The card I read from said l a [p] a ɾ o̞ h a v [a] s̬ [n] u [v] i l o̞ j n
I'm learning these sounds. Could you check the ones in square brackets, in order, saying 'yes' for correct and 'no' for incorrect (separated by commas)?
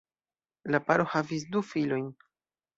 yes, no, no, no